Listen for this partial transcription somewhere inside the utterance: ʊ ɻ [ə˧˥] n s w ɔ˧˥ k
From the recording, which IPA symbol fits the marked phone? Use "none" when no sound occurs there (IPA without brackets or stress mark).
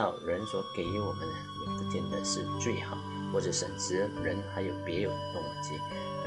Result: ə˧˥